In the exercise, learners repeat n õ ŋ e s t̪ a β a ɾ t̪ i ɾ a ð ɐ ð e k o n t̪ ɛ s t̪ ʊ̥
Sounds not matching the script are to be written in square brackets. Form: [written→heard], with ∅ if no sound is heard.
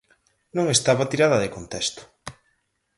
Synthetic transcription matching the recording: n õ ŋ e s t̪ a β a [ɾ→∅] t̪ i ɾ a ð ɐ ð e k o n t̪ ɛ s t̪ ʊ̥